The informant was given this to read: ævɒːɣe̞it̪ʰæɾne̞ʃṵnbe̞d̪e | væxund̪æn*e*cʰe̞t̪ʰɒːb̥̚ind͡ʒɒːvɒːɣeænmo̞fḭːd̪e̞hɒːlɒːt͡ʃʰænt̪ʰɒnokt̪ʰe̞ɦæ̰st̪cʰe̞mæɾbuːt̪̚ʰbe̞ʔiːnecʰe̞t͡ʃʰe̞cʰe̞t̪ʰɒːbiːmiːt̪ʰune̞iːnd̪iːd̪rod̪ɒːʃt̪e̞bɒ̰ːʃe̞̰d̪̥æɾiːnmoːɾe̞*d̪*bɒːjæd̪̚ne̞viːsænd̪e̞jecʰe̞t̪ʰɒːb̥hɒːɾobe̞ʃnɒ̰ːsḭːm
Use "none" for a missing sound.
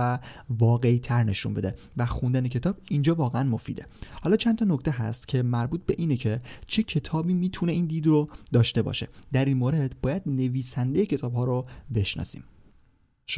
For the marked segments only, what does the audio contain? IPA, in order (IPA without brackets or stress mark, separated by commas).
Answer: e, d̪